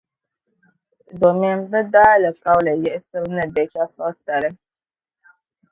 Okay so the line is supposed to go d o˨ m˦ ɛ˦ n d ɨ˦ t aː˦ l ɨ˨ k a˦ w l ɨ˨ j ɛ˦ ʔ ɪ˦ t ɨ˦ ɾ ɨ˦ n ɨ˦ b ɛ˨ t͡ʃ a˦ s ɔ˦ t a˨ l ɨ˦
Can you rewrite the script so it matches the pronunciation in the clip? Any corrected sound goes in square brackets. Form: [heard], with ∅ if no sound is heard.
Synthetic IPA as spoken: d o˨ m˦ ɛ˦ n [b] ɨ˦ [d] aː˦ l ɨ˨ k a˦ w l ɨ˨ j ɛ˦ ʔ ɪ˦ [s] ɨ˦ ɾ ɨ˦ n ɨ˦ b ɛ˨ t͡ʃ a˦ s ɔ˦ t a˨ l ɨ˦